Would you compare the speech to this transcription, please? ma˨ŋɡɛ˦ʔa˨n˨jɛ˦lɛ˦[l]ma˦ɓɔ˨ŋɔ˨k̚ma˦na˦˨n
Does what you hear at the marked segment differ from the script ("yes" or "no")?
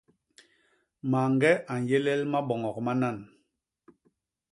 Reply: no